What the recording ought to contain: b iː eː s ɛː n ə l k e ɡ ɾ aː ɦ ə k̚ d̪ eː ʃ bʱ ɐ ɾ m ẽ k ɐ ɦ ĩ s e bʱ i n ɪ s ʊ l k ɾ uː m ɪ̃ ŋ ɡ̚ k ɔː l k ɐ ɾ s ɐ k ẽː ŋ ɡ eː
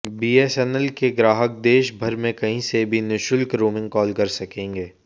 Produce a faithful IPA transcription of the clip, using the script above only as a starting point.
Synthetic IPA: b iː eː s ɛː n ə l k e ɡ ɾ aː ɦ ə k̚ d̪ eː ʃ bʱ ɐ ɾ m ẽ k ɐ ɦ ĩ s e bʱ i n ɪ ʃ ʊ l k ɾ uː m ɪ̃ ŋ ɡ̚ k ɔː l k ɐ ɾ s ɐ k ẽː ŋ ɡ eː